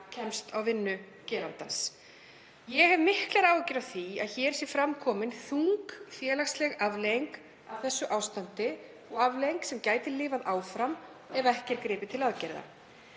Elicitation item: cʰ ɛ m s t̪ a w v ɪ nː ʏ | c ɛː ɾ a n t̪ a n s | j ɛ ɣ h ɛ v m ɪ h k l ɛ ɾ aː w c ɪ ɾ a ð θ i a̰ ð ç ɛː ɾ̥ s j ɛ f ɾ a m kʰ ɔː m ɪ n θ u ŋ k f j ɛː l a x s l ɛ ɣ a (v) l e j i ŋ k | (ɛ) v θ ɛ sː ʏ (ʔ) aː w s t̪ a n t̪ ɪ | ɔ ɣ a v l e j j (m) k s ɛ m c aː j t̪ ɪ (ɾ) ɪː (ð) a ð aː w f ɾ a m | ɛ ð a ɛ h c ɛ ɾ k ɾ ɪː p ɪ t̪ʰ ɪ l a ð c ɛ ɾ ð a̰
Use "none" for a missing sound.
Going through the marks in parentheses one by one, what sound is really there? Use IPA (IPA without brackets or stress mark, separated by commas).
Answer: v, a, ʔ, ŋ, l, v